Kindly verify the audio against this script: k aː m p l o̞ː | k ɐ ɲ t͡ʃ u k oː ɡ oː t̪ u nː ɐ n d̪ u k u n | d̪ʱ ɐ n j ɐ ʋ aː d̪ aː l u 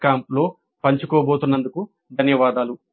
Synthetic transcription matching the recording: k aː m p l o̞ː | p ɐ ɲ t͡ʃ u k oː b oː t̪ u nː ɐ n d̪ u k u | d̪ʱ ɐ n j ɐ ʋ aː d̪ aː l u